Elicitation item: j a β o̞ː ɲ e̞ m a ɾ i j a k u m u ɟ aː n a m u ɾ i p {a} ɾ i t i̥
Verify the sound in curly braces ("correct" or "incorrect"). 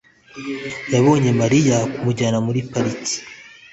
correct